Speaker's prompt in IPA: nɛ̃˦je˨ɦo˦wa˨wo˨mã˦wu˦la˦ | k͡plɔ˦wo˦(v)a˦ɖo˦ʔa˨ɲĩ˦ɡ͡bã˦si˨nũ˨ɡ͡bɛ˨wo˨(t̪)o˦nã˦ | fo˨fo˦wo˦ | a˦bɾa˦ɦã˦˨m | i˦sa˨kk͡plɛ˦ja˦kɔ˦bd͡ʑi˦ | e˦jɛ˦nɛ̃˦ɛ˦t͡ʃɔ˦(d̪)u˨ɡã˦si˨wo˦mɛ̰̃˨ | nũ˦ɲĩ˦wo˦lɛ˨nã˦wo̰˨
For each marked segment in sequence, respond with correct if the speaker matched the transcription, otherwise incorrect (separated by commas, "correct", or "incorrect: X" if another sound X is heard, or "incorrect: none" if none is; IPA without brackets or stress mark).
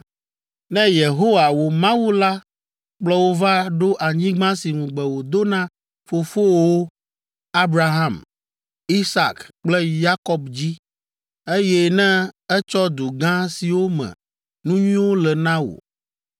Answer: correct, incorrect: d̪, correct